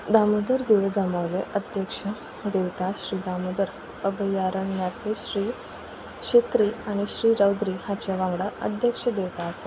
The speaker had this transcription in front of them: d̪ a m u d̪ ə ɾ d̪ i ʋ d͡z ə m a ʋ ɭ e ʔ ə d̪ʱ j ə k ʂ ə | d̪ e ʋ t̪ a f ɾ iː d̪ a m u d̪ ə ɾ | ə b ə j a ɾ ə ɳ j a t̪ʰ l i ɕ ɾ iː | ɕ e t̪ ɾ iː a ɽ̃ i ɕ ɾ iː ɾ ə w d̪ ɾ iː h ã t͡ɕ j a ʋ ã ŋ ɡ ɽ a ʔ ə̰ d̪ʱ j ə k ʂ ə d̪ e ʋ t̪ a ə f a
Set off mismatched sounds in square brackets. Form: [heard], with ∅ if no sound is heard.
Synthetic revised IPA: d̪ a m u d̪ ə ɾ d̪ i ʋ d͡z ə m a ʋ [l] e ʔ ə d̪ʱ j ə k ʂ ə | d̪ e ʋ t̪ a [ɕ] ɾ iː d̪ a m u d̪ ə ɾ | ə b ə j a ɾ ə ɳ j a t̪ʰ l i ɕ ɾ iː | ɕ e t̪ ɾ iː a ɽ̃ i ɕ ɾ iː ɾ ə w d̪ ɾ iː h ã t͡ɕ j a ʋ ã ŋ ɡ ɽ a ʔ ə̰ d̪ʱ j ə k ʂ ə d̪ e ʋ t̪ a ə [s] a